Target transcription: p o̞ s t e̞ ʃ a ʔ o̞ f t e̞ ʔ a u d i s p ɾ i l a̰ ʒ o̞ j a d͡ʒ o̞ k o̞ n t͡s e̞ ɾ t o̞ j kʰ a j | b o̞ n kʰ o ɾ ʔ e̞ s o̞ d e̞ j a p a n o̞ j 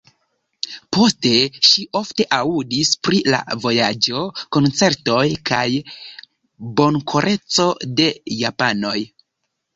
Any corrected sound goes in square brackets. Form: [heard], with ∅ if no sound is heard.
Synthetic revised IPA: p o̞ s t e̞ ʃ [i] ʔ o̞ f t e̞ ʔ a u d i s p ɾ i l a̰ [v] o̞ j a d͡ʒ o̞ k o̞ n t͡s e̞ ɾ t o̞ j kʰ a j | b o̞ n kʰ o ɾ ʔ e̞ [t͡s] o̞ d e̞ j a p a n o̞ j

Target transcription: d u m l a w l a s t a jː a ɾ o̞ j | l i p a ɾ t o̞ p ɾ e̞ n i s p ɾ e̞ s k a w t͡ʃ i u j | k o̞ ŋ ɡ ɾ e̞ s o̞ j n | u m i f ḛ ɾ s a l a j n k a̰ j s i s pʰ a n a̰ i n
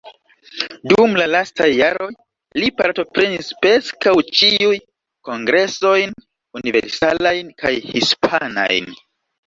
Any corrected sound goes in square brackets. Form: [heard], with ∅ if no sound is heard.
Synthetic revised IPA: d u m l a [∅] l a s t a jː a ɾ o̞ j | l i p a ɾ t o̞ p ɾ e̞ n i s p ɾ e̞ s k a w t͡ʃ i u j | k o̞ ŋ ɡ ɾ e̞ s o̞ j n | u [n] i [v] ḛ ɾ s a l a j n k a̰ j [h] i s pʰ a n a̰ [j] n

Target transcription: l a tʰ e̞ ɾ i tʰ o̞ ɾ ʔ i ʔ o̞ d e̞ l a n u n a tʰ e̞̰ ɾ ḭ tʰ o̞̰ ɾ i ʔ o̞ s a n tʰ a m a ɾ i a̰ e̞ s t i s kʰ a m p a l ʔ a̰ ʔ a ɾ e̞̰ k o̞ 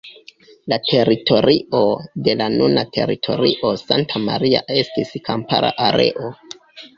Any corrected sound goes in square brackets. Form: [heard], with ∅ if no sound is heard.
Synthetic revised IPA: l a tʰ e̞ ɾ i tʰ o̞ ɾ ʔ i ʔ o̞ d e̞ l a n u n a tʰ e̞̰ ɾ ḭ tʰ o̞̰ ɾ i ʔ o̞ s a n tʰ a m a ɾ i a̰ e̞ s t i s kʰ a m p a [ɾ] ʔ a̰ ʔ a ɾ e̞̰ [ʔ] o̞

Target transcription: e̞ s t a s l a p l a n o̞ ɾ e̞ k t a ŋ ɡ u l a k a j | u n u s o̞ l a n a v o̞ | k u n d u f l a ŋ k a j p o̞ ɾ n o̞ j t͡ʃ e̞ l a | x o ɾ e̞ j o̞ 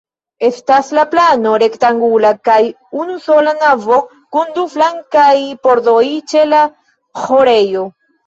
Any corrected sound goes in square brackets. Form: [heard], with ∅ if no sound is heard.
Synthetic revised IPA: e̞ s t a s l a p l a n o̞ ɾ e̞ k t a ŋ ɡ u l a k a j | u n u s o̞ l a n a v o̞ | k u n d u f l a ŋ k a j p o̞ ɾ [d] o̞ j t͡ʃ e̞ l a | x o ɾ e̞ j o̞

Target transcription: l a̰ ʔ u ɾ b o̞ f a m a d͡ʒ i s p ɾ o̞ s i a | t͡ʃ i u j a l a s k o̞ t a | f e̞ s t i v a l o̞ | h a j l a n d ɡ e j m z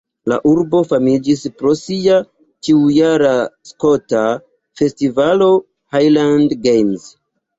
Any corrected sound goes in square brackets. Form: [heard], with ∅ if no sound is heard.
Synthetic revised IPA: l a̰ ʔ u ɾ b o̞ f a m [i] d͡ʒ i s p ɾ o̞ s i a | t͡ʃ i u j a [ɾ] a s k o̞ t a | f e̞ s t i v a l o̞ | h a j l a n d ɡ e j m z

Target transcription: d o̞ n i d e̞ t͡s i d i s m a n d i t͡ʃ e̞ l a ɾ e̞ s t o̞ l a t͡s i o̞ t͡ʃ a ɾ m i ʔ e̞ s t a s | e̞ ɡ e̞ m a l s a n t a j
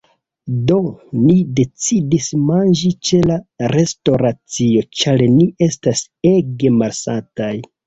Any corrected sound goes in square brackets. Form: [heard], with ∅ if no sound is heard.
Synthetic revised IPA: d o̞ n i d e̞ t͡s i d i s m a n [d͡ʒ] i t͡ʃ e̞ l a ɾ e̞ s t o̞ [ɾ] a t͡s i o̞ t͡ʃ a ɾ [n] i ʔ e̞ s t a s | e̞ ɡ e̞ m a l s a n t a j

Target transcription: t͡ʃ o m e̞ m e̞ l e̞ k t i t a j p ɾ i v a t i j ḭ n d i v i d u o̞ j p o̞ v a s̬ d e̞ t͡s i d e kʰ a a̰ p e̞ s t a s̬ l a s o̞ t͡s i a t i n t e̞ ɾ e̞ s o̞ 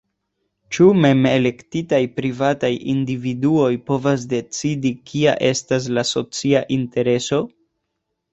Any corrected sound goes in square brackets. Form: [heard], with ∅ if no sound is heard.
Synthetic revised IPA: t͡ʃ [u] m e̞ m e̞ l e̞ k t i t a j p ɾ i v a t [a] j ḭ n d i v i d u o̞ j p o̞ v a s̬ d e̞ t͡s i d [i] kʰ [i] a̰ [ʔ] e̞ s t a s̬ l a s o̞ t͡s i a [ʔ] i n t e̞ ɾ e̞ s o̞

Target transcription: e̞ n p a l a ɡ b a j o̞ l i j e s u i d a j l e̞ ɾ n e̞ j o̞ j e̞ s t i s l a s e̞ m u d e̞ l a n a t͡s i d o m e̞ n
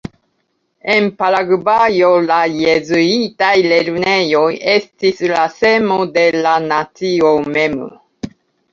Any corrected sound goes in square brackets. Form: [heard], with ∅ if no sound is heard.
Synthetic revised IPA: e̞ n p a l a ɡ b a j o̞ l [a] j e [z] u i [t] a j l e̞ ɾ n e̞ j o̞ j e̞ s t i s l a s e̞ m [o] d e̞ l a n a t͡s i [∅] o m e̞ [m]

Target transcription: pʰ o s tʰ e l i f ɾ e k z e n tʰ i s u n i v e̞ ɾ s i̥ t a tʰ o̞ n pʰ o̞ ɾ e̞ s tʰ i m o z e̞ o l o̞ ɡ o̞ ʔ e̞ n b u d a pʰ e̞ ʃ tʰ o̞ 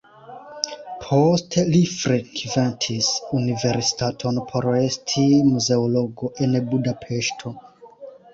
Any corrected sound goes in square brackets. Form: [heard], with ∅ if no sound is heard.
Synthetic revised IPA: pʰ o s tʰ e l i f ɾ e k [v] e n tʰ i s u n i v e̞ ɾ s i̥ t a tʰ o̞ n pʰ o̞ ɾ e̞ s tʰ i m [u] z e̞ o l o̞ ɡ o̞ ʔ e̞ n b u d a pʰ e̞ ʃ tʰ o̞

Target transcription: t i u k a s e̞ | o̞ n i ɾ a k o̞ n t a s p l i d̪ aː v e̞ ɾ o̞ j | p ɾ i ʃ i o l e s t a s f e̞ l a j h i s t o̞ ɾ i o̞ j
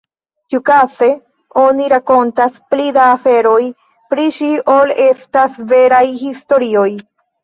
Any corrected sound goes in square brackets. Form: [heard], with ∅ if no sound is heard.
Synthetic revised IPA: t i u k a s e̞ | o̞ n i ɾ a k o̞ n t a s p l i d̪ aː [f] e̞ ɾ o̞ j | p ɾ i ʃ i o l e s t a s [v] e̞ [ɾ] a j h i s t o̞ ɾ i o̞ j

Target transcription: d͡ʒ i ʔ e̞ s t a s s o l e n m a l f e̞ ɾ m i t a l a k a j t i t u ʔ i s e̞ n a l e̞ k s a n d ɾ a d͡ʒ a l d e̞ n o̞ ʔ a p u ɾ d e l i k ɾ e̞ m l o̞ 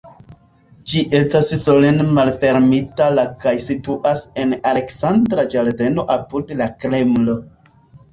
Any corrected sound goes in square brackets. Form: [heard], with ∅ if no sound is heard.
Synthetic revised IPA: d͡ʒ i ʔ e̞ s t a s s o l e n m a l f e̞ ɾ m i t a l a k a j [s] i t u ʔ [a] s e̞ n a l e̞ k s a n d ɾ a d͡ʒ a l d e̞ n o̞ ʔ a p u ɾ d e l [a] k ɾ e̞ m l o̞

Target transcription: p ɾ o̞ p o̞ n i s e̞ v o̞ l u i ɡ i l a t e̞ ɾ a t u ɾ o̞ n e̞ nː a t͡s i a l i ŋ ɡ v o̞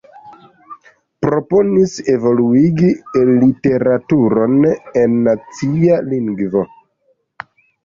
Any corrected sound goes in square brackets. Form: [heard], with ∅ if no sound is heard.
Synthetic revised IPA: p ɾ o̞ p o̞ n i s e̞ v o̞ l u i ɡ i l [i] t e̞ ɾ a t u ɾ o̞ n e̞ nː a t͡s i a l i ŋ ɡ v o̞

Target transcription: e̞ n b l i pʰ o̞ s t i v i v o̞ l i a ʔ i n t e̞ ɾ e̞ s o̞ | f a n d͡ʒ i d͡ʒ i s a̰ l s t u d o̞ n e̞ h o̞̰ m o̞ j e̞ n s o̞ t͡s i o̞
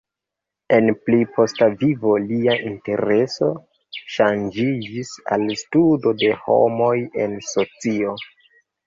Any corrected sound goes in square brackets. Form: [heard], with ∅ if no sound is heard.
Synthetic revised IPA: e̞ n [p] l i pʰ o̞ s t [a] v i v o̞ l i a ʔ i n t e̞ ɾ e̞ s o̞ | [ʃ] a n d͡ʒ i d͡ʒ i s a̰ l s t u d o̞ [d] e̞ h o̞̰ m o̞ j e̞ n s o̞ t͡s i o̞

